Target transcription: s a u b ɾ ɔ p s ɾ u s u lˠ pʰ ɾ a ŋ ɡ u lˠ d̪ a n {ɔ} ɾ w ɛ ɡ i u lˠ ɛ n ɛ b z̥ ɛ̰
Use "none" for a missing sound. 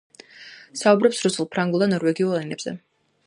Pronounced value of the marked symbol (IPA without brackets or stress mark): ɔ